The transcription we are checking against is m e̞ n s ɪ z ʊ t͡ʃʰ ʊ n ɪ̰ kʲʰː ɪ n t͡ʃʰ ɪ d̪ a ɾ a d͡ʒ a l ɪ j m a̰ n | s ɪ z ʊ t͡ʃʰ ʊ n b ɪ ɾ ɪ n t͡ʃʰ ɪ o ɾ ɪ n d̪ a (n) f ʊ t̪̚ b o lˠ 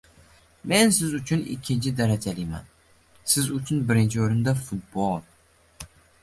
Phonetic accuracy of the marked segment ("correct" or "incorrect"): incorrect